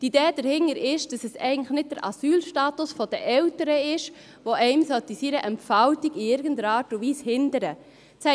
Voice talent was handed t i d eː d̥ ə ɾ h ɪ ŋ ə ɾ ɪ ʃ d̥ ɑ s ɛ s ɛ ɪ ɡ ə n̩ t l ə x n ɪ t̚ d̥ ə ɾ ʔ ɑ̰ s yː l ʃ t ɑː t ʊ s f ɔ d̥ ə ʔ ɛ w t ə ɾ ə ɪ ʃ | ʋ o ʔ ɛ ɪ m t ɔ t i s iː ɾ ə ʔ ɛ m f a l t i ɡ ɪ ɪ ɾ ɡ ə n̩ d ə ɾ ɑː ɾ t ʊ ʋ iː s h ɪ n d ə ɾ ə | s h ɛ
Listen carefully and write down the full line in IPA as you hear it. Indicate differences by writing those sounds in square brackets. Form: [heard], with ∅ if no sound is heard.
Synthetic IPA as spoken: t i d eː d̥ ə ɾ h ɪ ŋ ə ɾ ɪ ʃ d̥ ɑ s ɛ s ɛ ɪ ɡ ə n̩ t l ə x n ɪ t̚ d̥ ə ɾ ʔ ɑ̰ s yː l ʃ t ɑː t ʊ s f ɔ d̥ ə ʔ ɛ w t ə ɾ ə ɪ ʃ | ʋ o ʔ ɛ ɪ m [s] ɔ t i s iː ɾ ə ʔ ɛ m f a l t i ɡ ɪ ɪ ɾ ɡ ə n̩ d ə ɾ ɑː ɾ t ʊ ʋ iː s h ɪ n d ə ɾ ə | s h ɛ